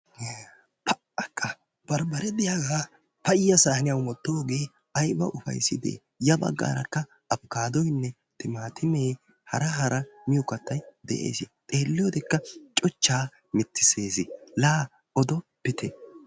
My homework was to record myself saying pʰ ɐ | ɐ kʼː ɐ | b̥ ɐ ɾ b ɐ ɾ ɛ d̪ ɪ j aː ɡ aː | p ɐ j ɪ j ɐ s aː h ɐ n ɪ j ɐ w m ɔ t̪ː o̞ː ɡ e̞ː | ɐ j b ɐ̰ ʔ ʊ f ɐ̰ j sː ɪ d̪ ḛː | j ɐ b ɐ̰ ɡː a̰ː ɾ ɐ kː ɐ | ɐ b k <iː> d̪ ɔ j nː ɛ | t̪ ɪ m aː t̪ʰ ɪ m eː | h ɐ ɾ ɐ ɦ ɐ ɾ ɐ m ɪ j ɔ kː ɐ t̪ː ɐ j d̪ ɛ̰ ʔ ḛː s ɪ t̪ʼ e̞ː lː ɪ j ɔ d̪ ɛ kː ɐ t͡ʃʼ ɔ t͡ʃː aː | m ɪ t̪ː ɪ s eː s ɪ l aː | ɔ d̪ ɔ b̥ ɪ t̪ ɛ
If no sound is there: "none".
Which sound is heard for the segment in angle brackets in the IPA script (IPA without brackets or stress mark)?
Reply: aː